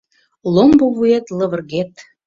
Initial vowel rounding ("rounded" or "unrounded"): rounded